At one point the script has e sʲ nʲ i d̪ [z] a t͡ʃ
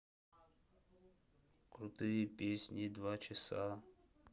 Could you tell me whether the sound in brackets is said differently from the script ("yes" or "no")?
yes